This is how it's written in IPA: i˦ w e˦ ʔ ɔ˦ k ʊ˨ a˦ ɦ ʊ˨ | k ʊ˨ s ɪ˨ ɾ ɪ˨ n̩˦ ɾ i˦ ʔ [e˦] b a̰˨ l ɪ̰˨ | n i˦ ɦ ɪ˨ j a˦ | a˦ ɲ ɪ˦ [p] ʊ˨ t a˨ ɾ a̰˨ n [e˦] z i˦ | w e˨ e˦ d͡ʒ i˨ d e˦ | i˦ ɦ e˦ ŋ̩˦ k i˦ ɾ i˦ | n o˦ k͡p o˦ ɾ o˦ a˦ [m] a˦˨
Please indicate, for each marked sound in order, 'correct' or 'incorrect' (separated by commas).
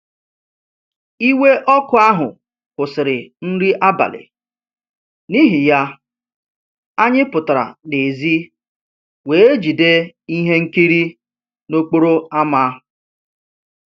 incorrect, correct, incorrect, correct